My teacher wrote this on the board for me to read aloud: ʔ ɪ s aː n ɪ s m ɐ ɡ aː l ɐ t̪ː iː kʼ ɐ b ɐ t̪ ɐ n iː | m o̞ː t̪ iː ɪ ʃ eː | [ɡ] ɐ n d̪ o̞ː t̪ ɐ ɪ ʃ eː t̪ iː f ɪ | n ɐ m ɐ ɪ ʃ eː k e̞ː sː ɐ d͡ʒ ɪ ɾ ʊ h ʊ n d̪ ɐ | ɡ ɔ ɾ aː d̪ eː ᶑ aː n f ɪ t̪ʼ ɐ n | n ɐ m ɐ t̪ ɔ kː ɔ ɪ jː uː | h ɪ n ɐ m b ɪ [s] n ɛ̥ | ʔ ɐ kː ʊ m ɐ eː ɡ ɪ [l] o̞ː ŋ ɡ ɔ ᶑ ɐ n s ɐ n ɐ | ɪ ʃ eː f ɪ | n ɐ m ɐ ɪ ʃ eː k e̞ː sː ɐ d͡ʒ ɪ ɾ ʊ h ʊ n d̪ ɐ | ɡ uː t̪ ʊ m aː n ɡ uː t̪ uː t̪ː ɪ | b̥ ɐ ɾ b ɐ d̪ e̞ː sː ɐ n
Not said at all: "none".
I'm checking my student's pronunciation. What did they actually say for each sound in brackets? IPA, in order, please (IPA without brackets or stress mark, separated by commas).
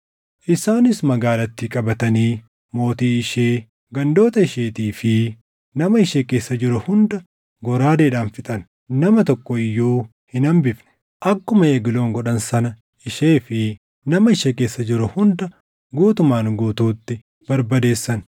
ɡ, f, l